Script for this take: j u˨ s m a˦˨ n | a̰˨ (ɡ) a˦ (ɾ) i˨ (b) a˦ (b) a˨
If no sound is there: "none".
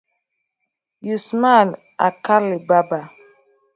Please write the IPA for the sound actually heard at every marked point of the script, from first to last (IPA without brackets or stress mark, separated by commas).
k, l, b, b